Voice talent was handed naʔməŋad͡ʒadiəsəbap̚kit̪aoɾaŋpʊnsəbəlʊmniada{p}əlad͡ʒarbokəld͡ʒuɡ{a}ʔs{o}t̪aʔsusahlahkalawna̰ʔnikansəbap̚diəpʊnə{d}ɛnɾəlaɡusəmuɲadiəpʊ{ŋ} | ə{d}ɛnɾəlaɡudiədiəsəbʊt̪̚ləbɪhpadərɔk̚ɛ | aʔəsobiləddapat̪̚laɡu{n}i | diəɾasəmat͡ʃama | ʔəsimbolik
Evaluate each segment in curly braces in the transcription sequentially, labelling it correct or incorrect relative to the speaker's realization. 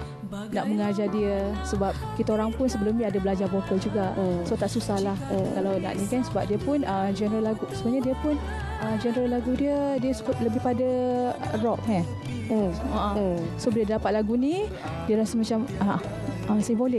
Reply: incorrect, correct, correct, incorrect, incorrect, incorrect, correct

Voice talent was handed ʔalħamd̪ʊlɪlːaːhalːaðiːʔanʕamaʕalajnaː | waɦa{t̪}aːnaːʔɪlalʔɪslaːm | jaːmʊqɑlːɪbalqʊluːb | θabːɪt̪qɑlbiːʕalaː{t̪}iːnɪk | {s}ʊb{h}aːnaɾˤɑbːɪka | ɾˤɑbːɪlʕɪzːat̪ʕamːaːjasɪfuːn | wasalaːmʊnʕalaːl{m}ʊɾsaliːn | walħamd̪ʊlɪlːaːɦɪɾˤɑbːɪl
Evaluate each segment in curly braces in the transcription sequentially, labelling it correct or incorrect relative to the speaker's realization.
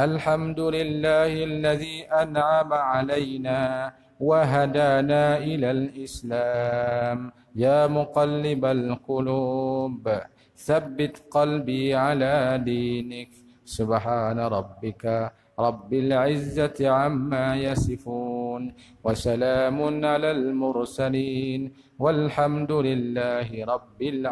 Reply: incorrect, incorrect, correct, incorrect, correct

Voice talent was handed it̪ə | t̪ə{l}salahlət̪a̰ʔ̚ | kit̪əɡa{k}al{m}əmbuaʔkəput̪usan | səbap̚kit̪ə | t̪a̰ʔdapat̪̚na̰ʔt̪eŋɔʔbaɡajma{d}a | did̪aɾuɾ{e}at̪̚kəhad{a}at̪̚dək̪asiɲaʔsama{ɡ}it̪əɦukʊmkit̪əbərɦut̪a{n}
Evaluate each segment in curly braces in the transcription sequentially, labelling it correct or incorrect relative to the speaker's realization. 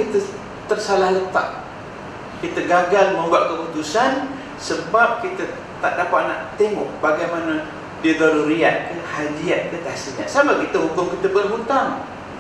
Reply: incorrect, incorrect, correct, incorrect, incorrect, incorrect, incorrect, incorrect

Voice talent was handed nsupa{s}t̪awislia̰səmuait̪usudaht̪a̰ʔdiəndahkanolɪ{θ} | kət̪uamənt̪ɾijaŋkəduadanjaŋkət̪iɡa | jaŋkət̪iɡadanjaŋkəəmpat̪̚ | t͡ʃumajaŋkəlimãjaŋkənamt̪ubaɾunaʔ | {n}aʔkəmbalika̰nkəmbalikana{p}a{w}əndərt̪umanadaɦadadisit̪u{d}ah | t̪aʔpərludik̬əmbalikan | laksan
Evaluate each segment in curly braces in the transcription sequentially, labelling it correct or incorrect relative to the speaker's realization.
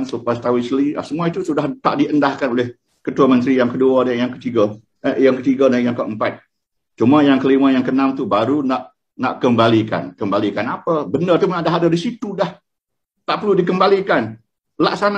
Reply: correct, incorrect, correct, correct, incorrect, correct

